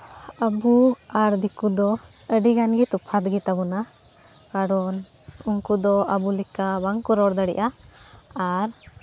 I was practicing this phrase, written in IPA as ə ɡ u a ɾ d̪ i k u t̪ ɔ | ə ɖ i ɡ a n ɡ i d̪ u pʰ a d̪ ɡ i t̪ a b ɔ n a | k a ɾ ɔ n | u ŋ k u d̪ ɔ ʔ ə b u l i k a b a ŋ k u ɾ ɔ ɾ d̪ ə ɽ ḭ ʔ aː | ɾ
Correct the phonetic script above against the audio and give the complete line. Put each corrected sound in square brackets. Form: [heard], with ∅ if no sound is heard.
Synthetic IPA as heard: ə [b] u a ɾ d̪ i k u [d̪] ɔ | ə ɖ i ɡ a n ɡ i [t̪] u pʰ a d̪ ɡ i t̪ a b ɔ n a | k a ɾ ɔ n | u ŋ k u d̪ ɔ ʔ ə b u l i k a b a ŋ k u ɾ ɔ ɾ d̪ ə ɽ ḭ ʔ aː | ɾ

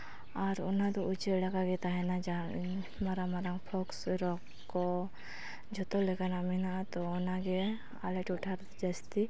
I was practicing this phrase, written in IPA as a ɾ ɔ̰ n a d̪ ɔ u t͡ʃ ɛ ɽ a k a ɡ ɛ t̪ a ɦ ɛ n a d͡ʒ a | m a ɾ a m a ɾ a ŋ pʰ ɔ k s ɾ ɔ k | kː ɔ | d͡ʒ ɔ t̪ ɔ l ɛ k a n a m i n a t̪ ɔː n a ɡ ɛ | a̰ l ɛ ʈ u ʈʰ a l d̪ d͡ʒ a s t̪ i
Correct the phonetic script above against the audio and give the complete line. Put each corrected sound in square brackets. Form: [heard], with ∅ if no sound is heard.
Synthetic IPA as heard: a ɾ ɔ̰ n a d̪ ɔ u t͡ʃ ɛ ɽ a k a ɡ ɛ t̪ a ɦ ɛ n a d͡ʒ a | m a ɾ a m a ɾ a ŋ pʰ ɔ k s ɾ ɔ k | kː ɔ | d͡ʒ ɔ t̪ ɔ l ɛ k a n a m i n a t̪ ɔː n a ɡ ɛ | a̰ l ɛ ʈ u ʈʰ a [ɾ] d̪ d͡ʒ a s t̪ i

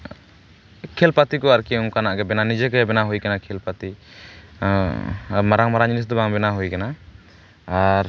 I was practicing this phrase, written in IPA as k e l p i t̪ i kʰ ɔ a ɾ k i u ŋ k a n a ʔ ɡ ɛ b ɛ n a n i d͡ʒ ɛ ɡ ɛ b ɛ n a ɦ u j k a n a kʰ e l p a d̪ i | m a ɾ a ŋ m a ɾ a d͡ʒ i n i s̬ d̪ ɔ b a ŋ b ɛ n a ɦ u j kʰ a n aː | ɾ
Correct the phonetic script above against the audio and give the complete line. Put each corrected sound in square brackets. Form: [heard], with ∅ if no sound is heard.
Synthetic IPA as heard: [kʰ] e l p [a] t̪ i [k] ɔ a ɾ k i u ŋ k a n a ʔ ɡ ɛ b ɛ n a n i d͡ʒ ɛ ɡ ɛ b ɛ n a ɦ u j k a n a kʰ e l p a [t̪] i | m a ɾ a ŋ m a ɾ a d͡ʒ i n i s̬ d̪ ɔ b a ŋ b ɛ n a ɦ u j [k] a n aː | ɾ

